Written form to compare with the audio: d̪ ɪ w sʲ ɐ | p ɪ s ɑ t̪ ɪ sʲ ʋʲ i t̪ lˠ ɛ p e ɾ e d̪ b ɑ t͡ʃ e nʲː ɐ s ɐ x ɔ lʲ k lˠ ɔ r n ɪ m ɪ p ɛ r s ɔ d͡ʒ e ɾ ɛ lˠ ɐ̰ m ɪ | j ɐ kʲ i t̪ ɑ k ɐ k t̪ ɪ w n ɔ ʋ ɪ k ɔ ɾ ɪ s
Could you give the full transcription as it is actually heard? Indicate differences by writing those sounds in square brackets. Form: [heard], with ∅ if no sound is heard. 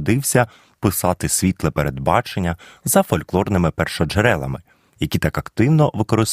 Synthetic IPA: d̪ ɪ w sʲ ɐ | p ɪ s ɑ t̪ ɪ sʲ ʋʲ i t̪ lˠ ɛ p e ɾ e d̪ b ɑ t͡ʃ e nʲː ɐ [z] ɐ [f] ɔ lʲ k lˠ ɔ r n ɪ m ɪ p ɛ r [ʃ] ɔ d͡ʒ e ɾ ɛ lˠ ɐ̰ m ɪ | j ɐ kʲ i t̪ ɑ k ɐ k t̪ ɪ w n ɔ ʋ ɪ k ɔ ɾ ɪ s